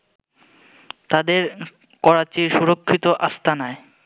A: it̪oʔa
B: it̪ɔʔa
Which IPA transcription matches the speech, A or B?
A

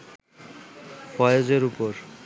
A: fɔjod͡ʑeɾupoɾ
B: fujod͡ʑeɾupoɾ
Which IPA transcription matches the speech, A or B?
A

